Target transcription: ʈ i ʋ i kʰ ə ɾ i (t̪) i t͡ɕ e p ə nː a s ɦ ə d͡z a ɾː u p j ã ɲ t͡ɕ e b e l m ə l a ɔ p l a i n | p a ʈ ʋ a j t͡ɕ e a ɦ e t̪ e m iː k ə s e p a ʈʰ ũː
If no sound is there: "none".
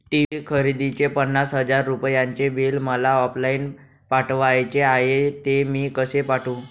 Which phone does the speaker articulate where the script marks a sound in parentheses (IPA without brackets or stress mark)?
d̪